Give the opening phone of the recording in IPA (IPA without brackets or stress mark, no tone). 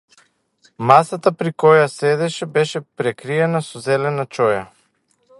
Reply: m